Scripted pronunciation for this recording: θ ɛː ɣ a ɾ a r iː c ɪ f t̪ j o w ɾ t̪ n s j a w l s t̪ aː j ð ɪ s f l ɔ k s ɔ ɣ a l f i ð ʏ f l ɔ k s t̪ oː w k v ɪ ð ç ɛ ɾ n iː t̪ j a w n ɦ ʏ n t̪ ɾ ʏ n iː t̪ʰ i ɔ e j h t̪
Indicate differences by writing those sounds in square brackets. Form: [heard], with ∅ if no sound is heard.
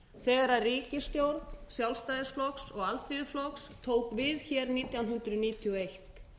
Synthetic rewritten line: θ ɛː ɣ a ɾ a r iː c ɪ [s] t̪ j o w ɾ t̪ n s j a w l s t̪ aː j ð ɪ s f l ɔ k s ɔ ɣ a l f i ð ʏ f l ɔ k s [t̪ʰ] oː w k v ɪ ð ç ɛ ɾ n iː t̪ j a w n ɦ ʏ n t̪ ɾ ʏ n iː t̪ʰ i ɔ e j h t̪